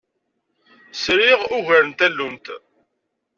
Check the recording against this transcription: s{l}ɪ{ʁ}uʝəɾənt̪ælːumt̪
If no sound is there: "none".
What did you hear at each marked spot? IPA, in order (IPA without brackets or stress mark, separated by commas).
ɾ, ʁ